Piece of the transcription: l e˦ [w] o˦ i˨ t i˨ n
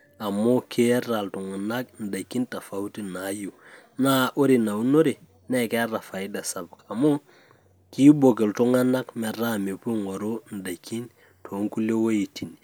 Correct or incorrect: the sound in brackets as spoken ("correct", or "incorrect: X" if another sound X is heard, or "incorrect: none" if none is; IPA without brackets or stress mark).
correct